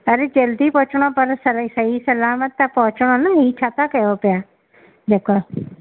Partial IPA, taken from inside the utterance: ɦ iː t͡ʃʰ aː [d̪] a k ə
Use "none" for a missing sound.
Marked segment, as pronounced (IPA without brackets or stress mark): t̪